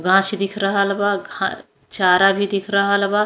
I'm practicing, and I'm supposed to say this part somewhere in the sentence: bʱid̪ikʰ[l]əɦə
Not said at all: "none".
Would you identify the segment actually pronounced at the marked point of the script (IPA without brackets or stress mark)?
ɾ